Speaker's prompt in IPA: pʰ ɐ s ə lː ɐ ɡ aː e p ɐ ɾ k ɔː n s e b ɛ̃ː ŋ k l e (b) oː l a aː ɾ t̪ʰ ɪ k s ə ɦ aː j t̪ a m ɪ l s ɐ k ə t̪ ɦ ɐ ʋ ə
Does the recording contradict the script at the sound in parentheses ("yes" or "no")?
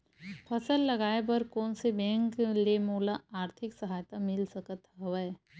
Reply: yes